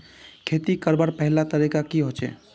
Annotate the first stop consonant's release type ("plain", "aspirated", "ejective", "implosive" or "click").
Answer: aspirated